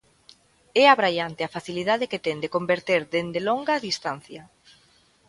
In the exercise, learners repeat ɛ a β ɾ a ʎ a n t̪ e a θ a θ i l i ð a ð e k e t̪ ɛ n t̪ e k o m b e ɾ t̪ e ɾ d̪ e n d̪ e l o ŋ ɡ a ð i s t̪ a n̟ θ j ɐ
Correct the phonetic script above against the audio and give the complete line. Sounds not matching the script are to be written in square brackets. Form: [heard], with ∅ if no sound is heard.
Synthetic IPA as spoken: ɛ a β ɾ a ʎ a n t̪ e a [f] a θ i l i ð a ð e k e t̪ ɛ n [d̪] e k o m b e ɾ t̪ e ɾ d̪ e n d̪ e l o ŋ ɡ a ð i s t̪ a n̟ θ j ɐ